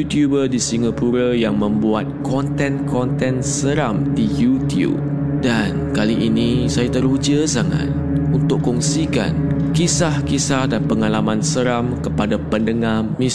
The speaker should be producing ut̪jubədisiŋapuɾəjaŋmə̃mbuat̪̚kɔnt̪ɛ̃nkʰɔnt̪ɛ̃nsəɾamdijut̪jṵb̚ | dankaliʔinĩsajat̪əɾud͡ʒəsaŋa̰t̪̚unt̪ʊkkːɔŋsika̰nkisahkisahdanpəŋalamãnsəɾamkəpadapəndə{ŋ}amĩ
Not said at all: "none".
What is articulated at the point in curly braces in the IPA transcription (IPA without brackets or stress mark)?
ŋ